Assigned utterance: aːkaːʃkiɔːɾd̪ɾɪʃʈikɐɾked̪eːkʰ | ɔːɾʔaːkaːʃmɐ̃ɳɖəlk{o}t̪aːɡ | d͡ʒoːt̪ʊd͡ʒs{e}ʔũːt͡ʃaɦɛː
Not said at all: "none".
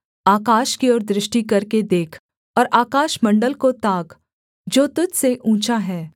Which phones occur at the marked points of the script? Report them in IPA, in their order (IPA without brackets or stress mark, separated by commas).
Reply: o, e